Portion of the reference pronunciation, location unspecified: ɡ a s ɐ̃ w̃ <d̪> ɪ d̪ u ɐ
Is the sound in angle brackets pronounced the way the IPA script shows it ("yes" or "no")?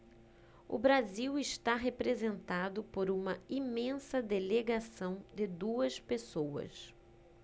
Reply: yes